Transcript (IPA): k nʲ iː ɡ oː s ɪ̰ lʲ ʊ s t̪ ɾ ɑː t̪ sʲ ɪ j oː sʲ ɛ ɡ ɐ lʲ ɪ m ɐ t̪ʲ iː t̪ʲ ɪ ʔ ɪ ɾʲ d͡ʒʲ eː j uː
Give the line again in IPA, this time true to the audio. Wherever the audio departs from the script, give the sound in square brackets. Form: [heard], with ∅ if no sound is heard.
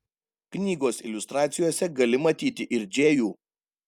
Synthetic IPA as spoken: k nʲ iː ɡ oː s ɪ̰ lʲ ʊ s t̪ ɾ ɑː t̪ sʲ ɪ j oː sʲ ɛ ɡ ɐ lʲ ɪ m ɐ t̪ʲ iː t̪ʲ ɪ ʔ ɪ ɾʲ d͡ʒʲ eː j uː